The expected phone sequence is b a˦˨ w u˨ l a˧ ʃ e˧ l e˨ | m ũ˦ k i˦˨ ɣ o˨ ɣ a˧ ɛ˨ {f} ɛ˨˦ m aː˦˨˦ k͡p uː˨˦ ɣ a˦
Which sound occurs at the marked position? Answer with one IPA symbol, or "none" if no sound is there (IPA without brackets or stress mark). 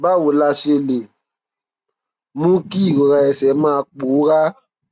s